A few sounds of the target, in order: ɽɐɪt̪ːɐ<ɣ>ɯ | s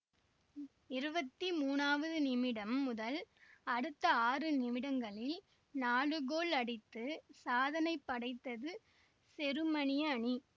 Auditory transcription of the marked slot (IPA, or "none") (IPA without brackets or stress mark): ð